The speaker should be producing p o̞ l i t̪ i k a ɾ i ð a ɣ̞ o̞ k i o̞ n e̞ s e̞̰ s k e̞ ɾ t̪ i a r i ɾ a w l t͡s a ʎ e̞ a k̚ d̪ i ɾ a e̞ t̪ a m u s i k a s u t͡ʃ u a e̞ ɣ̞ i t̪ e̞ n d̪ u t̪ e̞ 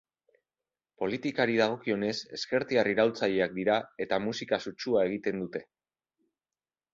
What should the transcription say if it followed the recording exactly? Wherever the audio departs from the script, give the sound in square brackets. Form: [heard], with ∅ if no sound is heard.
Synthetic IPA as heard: p o̞ l i t̪ i k a ɾ i ð a ɣ̞ o̞ k i o̞ n e̞ s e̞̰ s k e̞ ɾ t̪ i a r i ɾ a w l t͡s a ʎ e̞ a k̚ d̪ i ɾ a e̞ t̪ a m u s i k a s u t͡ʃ u a e̞ ɣ̞ i t̪ e̞ n d̪ u t̪ e̞